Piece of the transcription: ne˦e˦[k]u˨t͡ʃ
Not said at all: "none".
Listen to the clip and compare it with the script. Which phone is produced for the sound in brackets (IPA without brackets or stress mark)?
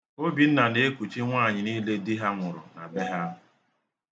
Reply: k